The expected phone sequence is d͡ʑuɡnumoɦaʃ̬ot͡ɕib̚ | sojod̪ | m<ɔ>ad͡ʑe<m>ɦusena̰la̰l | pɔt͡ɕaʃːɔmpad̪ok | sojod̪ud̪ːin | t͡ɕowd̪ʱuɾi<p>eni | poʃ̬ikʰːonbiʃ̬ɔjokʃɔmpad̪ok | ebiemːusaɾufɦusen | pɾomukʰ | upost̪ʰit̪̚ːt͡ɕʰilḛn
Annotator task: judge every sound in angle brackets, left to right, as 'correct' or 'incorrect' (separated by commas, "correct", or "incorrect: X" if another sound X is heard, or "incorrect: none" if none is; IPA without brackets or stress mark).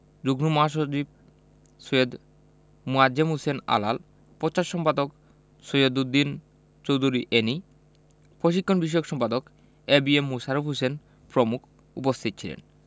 incorrect: u, correct, incorrect: ʔ